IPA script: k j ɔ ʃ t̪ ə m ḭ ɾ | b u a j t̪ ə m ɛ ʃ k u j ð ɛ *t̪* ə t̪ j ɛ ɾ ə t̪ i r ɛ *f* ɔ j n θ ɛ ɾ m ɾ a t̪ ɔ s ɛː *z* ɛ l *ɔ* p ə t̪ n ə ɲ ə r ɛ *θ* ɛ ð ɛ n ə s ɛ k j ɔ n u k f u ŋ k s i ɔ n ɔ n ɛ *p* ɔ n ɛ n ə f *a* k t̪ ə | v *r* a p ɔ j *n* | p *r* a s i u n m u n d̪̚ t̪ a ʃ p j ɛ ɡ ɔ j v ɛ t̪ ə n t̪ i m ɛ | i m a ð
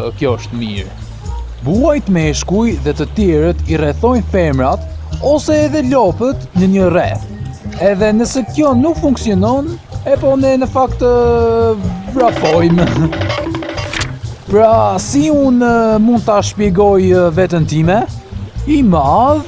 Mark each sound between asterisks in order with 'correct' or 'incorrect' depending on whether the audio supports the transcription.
correct, incorrect: θ, incorrect: ð, correct, correct, correct, correct, incorrect: ɾ, incorrect: m, incorrect: ɾ

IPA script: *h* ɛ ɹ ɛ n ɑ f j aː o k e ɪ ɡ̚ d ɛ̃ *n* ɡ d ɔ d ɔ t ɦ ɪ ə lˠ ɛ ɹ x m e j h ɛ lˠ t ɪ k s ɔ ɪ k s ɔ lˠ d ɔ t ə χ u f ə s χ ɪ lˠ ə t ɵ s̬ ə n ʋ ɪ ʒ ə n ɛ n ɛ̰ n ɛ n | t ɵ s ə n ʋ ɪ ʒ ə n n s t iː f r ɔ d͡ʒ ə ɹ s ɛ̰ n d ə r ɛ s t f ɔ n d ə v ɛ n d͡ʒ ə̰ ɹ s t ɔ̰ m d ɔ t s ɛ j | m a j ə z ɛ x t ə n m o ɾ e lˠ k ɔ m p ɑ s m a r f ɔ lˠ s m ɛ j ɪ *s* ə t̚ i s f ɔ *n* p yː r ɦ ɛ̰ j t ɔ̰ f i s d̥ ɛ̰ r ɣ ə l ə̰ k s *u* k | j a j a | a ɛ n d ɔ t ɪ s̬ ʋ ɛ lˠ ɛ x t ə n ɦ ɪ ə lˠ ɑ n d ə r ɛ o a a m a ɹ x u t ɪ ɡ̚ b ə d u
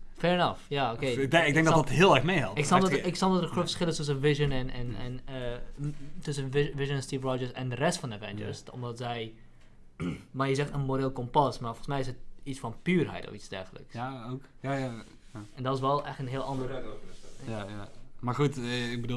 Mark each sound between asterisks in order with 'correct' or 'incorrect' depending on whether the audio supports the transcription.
incorrect: f, incorrect: ŋ, correct, correct, incorrect: o

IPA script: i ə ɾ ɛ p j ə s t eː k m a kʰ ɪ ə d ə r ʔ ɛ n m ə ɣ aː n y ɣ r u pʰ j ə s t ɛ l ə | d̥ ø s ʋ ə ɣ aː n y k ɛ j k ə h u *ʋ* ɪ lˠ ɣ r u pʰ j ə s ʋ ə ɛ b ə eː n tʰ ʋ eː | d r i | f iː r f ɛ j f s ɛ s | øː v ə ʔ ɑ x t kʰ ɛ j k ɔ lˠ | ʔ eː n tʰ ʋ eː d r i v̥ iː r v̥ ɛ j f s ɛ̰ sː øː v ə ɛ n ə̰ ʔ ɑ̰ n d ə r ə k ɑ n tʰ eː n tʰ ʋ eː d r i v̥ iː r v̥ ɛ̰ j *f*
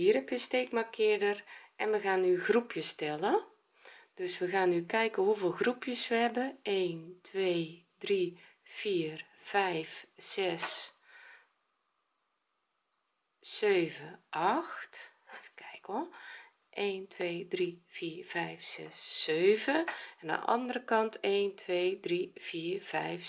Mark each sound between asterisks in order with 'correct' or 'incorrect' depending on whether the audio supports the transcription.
incorrect: v, correct

